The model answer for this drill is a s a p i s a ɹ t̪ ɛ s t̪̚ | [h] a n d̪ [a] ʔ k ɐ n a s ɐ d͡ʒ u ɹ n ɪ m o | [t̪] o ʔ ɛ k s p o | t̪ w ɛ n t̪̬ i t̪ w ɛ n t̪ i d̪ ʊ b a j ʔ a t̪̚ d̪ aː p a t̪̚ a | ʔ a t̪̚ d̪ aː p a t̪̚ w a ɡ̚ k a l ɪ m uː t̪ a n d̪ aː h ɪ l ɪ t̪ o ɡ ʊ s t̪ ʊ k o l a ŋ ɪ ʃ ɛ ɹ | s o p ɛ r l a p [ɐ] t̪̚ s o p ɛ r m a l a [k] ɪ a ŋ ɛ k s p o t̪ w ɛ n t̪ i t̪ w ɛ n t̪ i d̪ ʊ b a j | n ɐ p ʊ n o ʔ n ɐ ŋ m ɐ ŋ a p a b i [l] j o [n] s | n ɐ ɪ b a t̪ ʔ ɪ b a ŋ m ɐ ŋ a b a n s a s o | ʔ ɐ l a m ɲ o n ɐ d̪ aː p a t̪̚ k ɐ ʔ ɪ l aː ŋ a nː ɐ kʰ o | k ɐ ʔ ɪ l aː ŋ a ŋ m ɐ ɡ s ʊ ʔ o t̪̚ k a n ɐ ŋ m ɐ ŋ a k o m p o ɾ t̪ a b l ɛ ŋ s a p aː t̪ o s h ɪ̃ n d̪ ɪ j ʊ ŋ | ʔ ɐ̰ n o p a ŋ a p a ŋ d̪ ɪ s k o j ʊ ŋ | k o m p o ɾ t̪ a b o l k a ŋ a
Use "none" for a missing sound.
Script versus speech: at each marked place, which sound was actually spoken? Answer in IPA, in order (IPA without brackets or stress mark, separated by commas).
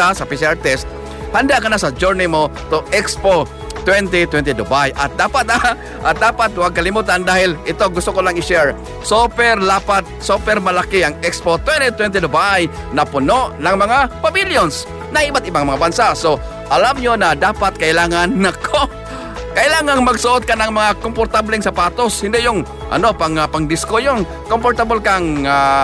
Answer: h, a, t̪, a, k, l, n